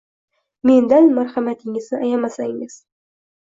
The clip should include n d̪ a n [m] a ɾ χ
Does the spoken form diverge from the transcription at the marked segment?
no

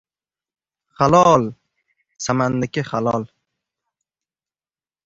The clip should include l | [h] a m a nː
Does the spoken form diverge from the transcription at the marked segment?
yes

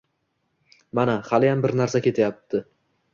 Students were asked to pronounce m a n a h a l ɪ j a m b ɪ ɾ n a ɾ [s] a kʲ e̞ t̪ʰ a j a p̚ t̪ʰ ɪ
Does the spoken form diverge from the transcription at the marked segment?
no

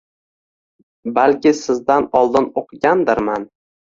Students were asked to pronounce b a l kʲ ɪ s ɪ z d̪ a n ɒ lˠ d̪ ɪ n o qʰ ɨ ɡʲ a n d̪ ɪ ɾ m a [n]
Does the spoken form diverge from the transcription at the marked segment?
no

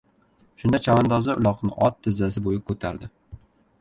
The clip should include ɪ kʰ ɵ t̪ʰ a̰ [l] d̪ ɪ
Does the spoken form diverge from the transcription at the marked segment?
yes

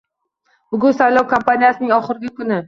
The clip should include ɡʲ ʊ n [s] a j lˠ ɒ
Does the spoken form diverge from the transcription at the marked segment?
no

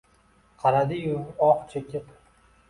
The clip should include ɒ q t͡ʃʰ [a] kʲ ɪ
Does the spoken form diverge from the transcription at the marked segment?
yes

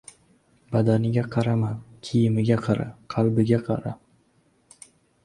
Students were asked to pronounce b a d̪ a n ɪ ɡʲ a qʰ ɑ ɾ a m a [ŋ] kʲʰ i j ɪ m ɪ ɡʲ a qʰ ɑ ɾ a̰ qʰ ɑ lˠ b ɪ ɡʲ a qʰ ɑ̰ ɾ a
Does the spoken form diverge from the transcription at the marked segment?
yes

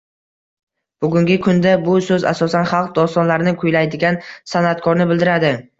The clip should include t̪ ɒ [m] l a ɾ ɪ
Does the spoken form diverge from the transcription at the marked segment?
yes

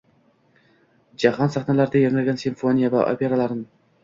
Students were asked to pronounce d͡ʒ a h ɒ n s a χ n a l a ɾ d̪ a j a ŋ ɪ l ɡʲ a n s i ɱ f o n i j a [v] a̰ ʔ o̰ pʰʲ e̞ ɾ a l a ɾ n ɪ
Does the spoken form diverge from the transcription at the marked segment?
no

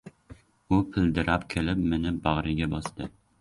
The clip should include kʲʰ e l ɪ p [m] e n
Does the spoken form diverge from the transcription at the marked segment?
no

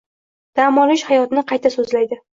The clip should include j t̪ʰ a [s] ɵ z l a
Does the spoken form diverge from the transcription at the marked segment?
no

